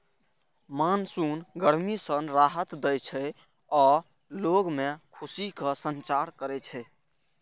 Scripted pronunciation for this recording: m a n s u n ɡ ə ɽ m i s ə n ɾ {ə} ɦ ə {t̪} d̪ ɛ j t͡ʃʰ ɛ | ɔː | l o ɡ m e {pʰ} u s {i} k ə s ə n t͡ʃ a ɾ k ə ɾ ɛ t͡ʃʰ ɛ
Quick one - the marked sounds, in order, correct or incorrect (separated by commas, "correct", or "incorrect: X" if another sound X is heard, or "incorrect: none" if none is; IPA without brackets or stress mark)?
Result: incorrect: a, correct, incorrect: kʰ, correct